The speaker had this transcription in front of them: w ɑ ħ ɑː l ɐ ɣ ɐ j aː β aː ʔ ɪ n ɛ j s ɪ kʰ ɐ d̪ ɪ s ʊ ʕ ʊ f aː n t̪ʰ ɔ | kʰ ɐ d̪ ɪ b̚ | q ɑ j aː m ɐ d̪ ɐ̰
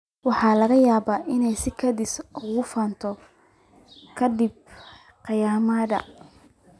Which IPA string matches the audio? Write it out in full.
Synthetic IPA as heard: w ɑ ħ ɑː l ɐ ɣ ɐ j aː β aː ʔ ɪ n ɛ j s ɪ kʰ ɐ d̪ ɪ s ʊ ɣ ʊ f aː n t̪ʰ ɔ | kʰ ɐ d̪ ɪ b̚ | q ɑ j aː m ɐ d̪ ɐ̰

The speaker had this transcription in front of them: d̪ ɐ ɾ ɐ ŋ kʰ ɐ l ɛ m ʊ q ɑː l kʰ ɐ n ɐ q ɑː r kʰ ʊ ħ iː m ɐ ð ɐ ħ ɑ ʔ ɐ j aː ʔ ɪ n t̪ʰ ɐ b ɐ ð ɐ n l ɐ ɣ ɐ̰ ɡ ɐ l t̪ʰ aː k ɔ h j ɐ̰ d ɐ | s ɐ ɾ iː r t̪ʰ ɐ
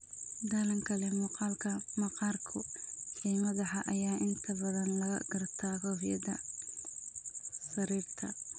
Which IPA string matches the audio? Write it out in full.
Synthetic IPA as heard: d̪ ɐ l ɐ ŋ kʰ ɐ l ɛ m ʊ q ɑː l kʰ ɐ m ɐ q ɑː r kʰ ʊ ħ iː m ɐ ð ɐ ħ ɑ ʔ ɐ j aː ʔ ɪ n t̪ʰ ɐ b ɐ ð ɐ n l ɐ ɣ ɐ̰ ɡ ɐ r t̪ʰ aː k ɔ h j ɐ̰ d ɐ | s ɐ ɾ iː r t̪ʰ ɐ

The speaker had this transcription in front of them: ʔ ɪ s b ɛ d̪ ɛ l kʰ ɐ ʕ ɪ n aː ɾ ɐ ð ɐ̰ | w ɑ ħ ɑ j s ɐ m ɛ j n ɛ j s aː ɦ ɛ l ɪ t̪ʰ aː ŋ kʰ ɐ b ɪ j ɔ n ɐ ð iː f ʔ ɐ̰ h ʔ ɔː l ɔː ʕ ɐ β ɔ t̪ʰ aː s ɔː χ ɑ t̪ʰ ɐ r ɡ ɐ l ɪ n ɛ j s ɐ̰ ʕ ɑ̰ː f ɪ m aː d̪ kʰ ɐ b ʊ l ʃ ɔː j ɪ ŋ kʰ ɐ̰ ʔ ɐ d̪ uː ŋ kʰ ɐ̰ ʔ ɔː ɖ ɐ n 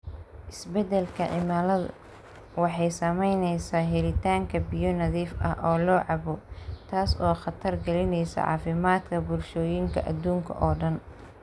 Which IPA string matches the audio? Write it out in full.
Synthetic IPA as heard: ʔ ɪ s b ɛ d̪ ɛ l kʰ ɐ ʕ ɪ m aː l ɐ ð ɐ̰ | w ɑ ħ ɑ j s ɐ m ɛ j n ɛ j s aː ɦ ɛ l ɪ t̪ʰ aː ŋ kʰ ɐ b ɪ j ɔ n ɐ ð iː f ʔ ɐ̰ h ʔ ɔː l ɔː ʕ ɑ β ɔ t̪ʰ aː s ɔː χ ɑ t̪ʰ ɐ r ɡ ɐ l ɪ n ɛ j s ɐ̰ ʕ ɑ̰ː f ɪ m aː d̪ kʰ ɐ b ʊ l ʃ ɔː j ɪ ŋ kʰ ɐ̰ ʔ ɐ d̪ uː ŋ kʰ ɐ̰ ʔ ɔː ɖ ɐ n

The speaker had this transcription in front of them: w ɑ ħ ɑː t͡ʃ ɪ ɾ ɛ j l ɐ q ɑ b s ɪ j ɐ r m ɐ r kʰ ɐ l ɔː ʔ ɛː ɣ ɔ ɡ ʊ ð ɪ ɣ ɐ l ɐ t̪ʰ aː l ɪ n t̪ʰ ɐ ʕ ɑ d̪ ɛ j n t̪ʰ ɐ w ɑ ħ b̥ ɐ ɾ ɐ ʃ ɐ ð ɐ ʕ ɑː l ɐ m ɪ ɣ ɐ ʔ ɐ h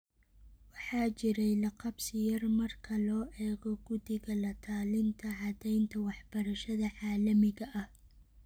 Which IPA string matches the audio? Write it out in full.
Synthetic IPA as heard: w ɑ ħ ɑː t͡ʃ ɪ ɾ ɛ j l ɐ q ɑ b s ɪ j ɐ r m ɐ r kʰ ɐ l ɔː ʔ ɛː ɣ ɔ ɡ ʊ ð ɪ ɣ ɐ l ɐ t̪ʰ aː l ɪ n t̪ʰ ɐ ʕ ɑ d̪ ɛ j n t̪ʰ ɐ w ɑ ħ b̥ ɐ ɾ ɐ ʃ ɐ ð ɐ ʕ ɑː l ɐ m ɪ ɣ ɐ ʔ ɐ h

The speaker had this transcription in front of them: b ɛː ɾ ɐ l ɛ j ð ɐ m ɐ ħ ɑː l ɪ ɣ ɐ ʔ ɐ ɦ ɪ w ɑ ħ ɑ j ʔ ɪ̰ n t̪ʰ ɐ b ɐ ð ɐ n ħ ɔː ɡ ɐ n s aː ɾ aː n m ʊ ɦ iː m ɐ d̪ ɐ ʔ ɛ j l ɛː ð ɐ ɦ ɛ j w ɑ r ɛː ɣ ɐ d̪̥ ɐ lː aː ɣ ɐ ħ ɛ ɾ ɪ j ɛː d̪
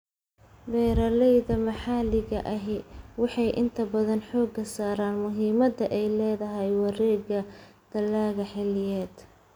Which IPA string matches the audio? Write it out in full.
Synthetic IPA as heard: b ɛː ɾ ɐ l ɛ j ð ɐ m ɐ ħ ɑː l ɪ ɣ ɐ ʔ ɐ ɦ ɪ w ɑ ħ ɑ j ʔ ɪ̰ n t̪ʰ ɐ b ɐ ð ɐ n ħ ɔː ɡ ɐ s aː ɾ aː n m ʊ ɦ iː m ɐ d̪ ɐ ʔ ɛ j l ɛː ð ɐ ɦ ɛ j w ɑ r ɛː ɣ ɐ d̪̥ ɐ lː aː ɣ ɐ ħ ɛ l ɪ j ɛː d̪

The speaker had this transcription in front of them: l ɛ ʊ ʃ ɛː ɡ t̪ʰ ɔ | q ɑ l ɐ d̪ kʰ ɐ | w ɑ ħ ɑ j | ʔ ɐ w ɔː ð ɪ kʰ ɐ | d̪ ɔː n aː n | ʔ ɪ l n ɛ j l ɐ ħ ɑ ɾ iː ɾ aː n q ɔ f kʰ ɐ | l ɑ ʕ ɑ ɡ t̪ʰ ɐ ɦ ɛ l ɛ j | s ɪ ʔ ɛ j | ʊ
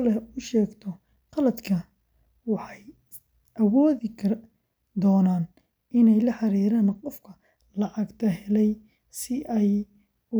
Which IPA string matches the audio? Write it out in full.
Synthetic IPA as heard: l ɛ ʊ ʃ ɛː ɡ t̪ʰ ɔ | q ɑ l ɐ d̪ kʰ ɐ | w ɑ ħ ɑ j | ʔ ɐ w ɔː ð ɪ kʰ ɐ | d̪ ɔː n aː n | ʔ ɪ n ɛ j l ɐ ħ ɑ ɾ iː ɾ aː n q ɔ f kʰ ɐ | l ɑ ʕ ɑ ɡ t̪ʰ ɐ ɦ ɛ l ɛ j | s ɪ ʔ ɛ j | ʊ

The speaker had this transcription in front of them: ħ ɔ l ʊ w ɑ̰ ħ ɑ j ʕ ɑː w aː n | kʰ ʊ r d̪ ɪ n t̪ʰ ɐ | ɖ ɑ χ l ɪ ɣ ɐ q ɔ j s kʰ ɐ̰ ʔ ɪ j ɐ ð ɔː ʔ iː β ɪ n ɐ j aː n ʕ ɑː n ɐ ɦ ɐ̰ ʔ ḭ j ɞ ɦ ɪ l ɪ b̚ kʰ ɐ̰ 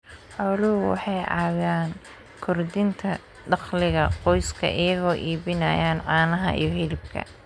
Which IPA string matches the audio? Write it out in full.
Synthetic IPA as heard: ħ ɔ l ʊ w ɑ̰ ħ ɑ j ʕ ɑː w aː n | kʰ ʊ r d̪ ɪ n t̪ʰ ɐ | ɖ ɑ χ l ɪ ɣ ɐ q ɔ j s kʰ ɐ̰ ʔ ɪ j ɐ ɣ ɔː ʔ iː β ɪ n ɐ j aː n ʕ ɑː n ɐ ɦ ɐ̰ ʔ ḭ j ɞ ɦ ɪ l ɪ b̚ kʰ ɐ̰

